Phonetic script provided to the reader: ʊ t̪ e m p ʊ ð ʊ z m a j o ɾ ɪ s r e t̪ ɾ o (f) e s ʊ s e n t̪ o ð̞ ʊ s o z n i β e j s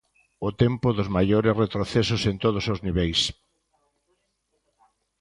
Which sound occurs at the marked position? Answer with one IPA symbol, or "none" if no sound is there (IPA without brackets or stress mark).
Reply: θ